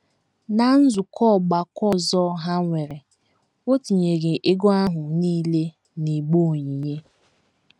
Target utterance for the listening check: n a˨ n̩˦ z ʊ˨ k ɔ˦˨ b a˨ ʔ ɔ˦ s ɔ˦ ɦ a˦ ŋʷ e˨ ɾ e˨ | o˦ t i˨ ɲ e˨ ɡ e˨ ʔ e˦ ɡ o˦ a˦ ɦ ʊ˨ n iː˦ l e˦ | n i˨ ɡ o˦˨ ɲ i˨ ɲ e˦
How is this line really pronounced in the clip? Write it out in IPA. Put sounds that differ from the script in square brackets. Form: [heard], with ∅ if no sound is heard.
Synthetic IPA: n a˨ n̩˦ z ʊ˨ k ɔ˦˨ [ɡ͡b] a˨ [k] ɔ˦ [z] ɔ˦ ɦ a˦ ŋʷ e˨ ɾ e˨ | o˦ t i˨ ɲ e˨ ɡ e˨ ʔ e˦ ɡ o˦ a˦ ɦ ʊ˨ n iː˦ l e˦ | n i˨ [ɡ͡b] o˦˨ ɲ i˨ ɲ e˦